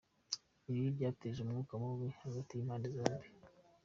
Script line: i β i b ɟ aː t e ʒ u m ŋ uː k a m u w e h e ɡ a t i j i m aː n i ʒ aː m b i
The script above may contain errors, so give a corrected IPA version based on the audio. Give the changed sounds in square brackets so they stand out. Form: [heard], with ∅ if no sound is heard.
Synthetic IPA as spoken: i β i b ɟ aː t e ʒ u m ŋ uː k a m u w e h [a] ɡ a t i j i m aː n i [z] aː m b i